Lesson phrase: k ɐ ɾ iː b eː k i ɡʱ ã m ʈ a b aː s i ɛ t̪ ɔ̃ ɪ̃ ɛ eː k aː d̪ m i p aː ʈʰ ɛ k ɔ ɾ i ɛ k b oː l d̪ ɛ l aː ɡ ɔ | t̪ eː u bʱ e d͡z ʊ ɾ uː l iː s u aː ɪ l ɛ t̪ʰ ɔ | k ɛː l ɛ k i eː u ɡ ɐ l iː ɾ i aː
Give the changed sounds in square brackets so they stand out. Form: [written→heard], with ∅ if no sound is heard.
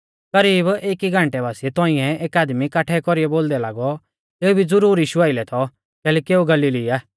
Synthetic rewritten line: k ɐ ɾ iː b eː k i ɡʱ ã [m→ɳ] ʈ [a→ɛ] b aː s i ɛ t̪ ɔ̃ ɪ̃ ɛ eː k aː d̪ m i [p→k] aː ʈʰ ɛ k ɔ ɾ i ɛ [k→∅] b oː l d̪ ɛ l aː ɡ ɔ | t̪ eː u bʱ [e→i] d͡z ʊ ɾ uː [l→ɾ] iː [s→ʃ] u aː ɪ l ɛ t̪ʰ ɔ | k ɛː l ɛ k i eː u ɡ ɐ l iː [ɾ→l] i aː